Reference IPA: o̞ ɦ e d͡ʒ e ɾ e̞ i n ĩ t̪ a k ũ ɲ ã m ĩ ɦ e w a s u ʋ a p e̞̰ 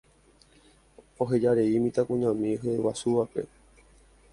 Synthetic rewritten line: o̞ ɦ e d͡ʒ a ɾ e̞ i m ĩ t̪ a k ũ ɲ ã m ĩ ɦ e w a s u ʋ a p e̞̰